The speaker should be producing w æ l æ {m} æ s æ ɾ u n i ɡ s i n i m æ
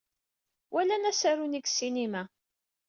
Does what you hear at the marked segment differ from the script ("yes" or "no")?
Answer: yes